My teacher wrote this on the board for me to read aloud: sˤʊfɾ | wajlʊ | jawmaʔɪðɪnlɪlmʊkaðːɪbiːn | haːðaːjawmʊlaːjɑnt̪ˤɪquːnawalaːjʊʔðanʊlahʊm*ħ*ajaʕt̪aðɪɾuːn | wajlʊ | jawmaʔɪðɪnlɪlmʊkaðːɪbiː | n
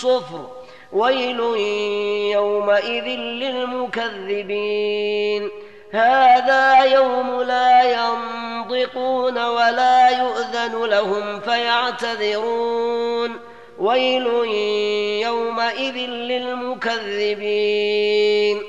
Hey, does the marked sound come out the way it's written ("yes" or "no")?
no